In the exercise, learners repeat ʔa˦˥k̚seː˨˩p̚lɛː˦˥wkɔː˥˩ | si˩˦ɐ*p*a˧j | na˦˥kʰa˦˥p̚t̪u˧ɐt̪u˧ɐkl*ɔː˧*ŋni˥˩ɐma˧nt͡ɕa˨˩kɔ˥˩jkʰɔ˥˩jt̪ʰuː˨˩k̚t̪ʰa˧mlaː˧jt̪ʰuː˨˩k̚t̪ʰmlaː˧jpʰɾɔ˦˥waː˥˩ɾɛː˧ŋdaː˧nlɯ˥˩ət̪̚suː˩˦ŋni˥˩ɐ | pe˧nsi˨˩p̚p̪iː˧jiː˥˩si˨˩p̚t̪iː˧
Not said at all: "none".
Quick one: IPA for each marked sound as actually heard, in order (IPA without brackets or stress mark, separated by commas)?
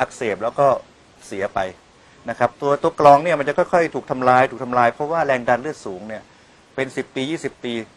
p, ɔː˧